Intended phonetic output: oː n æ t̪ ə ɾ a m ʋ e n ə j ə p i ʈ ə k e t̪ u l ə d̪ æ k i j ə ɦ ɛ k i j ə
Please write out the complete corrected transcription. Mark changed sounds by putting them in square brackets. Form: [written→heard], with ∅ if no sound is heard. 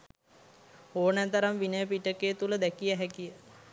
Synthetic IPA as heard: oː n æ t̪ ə ɾ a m ʋ [e→i] n ə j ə p i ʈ ə k e t̪ u l ə d̪ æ k i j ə ɦ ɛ k i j ə